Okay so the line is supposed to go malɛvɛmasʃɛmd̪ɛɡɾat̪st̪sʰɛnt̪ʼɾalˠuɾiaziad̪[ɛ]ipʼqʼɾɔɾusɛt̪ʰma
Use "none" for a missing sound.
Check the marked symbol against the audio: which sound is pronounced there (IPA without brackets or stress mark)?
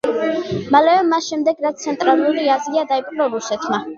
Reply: a